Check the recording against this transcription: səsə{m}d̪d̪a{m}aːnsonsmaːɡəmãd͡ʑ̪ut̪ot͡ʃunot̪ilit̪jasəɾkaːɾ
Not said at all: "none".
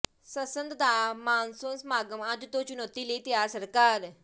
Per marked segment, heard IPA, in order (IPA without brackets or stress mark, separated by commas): n, m